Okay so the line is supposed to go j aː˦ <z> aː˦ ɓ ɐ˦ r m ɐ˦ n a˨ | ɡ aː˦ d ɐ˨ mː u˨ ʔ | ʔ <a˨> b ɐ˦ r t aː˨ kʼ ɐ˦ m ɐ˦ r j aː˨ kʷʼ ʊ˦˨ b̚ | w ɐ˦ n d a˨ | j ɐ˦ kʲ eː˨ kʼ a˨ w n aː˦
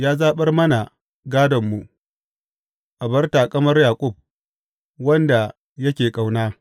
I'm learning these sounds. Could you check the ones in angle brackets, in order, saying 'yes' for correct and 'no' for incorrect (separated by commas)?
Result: yes, yes